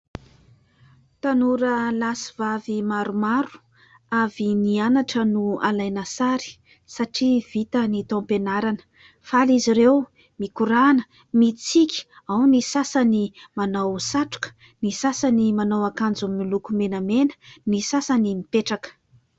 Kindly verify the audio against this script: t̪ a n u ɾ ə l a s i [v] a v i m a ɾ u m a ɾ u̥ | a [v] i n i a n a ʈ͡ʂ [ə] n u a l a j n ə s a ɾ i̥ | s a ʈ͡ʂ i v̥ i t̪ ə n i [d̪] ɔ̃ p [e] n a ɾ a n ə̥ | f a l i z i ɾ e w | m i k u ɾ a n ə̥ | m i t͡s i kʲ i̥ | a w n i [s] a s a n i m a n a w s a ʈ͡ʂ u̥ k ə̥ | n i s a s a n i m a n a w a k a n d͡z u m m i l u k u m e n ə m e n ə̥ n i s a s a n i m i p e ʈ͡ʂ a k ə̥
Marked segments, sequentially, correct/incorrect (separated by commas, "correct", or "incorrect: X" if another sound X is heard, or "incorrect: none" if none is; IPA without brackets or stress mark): correct, correct, correct, incorrect: t̪, correct, correct